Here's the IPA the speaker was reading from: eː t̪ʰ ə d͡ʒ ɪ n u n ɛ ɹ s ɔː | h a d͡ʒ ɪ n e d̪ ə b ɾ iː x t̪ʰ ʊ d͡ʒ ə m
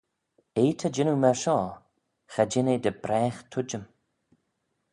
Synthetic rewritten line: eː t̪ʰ ə d͡ʒ ɪ n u m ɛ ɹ ʃ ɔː | x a d͡ʒ ɪ n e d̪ ə b ɾ ɛː x t̪ʰ ʊ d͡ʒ ə m